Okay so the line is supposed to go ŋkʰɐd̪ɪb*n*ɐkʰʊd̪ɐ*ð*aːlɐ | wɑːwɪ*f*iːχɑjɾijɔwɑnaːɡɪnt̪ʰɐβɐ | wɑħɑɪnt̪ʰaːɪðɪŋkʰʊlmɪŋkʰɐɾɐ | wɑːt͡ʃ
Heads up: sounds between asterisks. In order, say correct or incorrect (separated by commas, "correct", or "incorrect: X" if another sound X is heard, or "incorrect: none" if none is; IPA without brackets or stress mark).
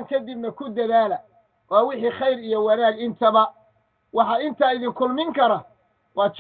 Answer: correct, correct, incorrect: ħ